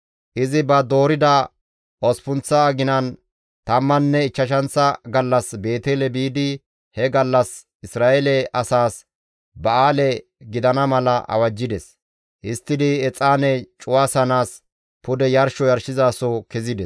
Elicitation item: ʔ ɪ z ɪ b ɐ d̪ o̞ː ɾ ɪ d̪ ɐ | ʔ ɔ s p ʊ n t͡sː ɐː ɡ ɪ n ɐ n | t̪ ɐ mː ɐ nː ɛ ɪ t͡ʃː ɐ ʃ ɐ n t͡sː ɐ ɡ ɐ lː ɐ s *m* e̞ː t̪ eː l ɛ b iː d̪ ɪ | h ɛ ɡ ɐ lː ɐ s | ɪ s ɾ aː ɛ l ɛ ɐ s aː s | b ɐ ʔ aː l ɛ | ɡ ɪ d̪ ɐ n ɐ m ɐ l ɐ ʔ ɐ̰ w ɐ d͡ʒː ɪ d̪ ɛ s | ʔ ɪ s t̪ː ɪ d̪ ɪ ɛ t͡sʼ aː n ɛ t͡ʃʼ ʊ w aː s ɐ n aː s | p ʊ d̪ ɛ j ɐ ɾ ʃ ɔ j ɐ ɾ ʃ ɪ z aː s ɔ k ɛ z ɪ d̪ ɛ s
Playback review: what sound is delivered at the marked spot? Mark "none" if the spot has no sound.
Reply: b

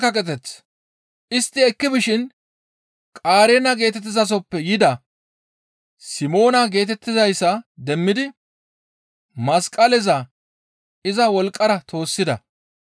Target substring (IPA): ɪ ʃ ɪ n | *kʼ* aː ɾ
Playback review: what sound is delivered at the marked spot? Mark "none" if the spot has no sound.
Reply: kʼ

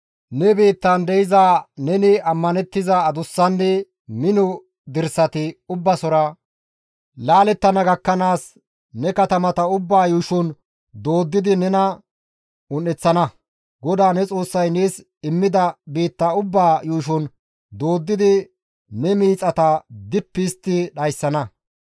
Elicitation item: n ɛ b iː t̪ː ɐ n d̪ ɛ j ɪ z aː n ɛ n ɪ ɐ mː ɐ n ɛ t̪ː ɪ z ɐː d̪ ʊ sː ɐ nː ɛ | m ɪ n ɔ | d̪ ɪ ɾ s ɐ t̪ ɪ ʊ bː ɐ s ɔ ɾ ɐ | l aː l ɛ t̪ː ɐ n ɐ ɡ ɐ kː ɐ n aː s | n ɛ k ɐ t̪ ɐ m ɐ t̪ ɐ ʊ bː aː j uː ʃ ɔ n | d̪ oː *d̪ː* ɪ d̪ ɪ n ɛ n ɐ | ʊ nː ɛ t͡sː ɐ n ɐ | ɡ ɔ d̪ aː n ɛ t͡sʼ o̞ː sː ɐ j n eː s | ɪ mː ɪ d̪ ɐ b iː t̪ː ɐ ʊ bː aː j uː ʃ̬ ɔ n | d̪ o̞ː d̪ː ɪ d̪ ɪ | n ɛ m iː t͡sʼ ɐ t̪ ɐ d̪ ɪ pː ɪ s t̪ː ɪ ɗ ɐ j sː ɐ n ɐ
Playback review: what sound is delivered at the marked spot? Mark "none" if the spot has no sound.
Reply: d̪ː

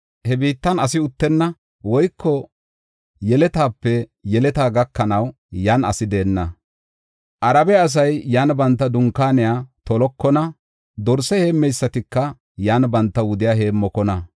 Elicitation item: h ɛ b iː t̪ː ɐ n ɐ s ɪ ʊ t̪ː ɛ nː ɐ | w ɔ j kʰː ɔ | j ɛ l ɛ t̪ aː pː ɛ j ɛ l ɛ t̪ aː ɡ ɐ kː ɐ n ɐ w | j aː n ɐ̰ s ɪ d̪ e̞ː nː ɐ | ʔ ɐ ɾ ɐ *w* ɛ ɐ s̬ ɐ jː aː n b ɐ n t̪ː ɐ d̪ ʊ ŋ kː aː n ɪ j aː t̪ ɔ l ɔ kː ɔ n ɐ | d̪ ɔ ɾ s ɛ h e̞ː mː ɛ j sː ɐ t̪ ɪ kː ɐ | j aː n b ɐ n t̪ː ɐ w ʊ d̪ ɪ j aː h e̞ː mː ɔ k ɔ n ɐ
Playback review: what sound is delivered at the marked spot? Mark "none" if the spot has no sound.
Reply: b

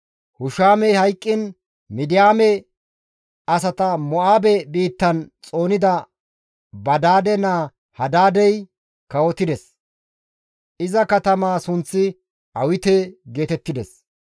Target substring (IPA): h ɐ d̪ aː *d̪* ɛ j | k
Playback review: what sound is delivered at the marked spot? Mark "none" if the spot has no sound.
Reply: d̪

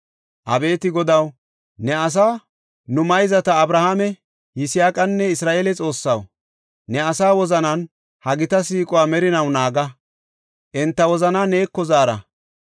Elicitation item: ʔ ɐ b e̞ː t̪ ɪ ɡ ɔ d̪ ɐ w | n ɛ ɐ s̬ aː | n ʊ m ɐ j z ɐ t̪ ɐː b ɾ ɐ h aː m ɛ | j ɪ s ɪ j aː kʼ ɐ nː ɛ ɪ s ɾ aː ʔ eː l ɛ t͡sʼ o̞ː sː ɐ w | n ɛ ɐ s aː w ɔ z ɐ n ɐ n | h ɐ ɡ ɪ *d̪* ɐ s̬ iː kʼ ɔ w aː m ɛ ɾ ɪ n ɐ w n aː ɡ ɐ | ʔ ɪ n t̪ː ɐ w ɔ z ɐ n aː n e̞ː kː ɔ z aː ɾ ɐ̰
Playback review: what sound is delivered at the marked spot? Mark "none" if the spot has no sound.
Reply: t̪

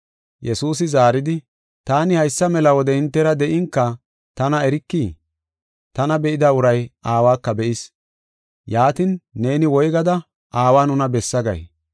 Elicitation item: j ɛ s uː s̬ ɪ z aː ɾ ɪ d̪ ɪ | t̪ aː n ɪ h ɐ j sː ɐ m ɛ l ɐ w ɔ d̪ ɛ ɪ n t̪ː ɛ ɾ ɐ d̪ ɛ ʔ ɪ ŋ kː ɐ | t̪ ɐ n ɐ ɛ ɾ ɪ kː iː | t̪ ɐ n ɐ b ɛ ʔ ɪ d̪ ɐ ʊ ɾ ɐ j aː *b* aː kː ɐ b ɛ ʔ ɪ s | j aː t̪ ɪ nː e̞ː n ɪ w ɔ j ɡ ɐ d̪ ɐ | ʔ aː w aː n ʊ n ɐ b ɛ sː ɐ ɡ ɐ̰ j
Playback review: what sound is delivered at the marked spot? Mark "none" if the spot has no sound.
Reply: w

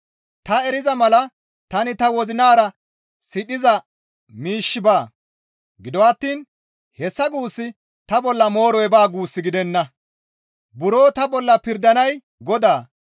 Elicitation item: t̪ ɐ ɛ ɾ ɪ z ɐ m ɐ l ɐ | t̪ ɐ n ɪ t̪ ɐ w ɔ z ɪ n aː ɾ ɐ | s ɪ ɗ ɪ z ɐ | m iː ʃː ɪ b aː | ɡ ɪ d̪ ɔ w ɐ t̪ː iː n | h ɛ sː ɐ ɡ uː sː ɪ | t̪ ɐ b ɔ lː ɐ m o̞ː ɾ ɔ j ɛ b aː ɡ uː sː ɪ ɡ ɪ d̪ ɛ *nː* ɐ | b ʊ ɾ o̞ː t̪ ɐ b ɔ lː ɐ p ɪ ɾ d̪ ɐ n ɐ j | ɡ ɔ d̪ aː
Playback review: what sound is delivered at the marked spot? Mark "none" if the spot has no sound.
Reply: nː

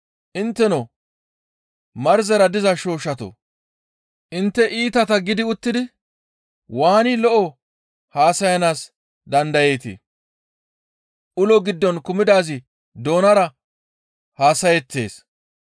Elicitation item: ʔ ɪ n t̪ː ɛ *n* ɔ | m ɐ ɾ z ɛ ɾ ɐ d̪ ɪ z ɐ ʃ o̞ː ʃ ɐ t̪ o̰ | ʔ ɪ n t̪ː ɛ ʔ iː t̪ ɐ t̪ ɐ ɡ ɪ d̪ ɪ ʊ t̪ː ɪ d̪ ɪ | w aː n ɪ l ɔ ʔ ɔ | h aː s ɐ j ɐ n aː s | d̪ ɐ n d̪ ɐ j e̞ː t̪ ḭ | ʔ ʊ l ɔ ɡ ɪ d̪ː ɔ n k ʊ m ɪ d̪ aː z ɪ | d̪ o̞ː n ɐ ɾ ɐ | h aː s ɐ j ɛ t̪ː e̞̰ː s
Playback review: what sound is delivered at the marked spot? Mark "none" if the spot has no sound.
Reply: n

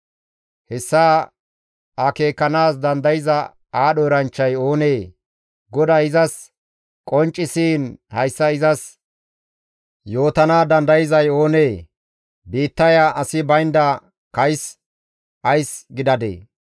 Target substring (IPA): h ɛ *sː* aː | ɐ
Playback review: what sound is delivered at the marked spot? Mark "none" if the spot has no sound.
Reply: sː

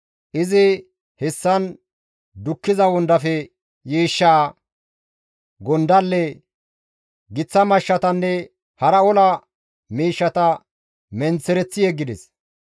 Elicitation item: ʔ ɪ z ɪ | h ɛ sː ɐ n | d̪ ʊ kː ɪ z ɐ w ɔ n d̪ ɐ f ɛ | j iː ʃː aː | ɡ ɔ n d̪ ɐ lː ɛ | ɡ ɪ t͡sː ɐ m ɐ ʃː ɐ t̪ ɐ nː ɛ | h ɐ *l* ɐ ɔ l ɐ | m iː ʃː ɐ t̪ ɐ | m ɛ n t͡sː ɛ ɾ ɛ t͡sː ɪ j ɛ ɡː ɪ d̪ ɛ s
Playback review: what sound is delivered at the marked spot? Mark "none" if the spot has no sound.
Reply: ɾ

